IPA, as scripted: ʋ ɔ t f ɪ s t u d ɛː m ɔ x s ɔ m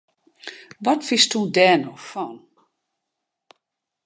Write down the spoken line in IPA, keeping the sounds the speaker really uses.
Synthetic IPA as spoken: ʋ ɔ t f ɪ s t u d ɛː n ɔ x f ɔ n